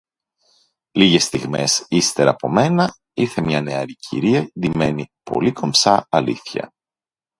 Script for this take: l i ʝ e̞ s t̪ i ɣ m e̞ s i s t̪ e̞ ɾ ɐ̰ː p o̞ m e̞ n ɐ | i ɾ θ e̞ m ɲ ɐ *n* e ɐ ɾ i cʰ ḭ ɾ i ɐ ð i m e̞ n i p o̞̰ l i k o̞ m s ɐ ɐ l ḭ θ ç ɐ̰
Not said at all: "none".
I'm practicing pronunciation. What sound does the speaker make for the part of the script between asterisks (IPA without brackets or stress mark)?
n